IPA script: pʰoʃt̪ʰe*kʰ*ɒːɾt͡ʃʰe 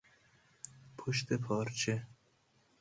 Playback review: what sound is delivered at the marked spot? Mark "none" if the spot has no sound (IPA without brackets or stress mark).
pʰ